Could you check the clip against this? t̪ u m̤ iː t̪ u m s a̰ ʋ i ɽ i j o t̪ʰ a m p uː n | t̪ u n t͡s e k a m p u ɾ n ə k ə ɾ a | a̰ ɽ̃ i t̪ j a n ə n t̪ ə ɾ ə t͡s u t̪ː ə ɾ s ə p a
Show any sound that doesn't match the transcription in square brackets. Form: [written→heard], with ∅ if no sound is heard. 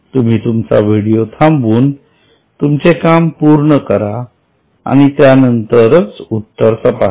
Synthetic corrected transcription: t̪ u m̤ iː t̪ u m [s→t͡s] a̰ ʋ i ɽ i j o t̪ʰ a m [p→b] uː n | t̪ u [n→m] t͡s e k a m p u ɾ [n→ɳ] ə k ə ɾ a | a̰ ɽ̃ i t̪ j a n ə n t̪ ə ɾ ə t͡s u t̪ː ə ɾ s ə p a